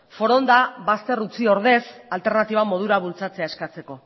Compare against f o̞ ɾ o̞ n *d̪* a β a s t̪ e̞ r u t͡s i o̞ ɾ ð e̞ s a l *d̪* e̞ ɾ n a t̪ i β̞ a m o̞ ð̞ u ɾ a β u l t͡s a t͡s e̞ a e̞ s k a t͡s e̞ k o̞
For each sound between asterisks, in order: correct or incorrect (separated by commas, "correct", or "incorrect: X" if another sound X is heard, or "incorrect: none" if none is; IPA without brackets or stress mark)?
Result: correct, incorrect: t̪